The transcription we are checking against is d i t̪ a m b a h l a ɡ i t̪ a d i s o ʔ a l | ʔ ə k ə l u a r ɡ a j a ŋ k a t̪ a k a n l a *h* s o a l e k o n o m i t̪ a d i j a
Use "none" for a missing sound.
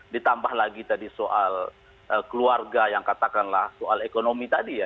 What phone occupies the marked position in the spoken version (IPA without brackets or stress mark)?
h